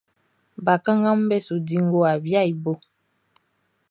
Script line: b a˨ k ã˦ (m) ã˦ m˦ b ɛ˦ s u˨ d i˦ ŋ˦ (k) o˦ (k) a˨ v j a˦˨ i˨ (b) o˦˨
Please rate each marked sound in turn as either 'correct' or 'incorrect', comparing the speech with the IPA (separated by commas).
incorrect, incorrect, incorrect, correct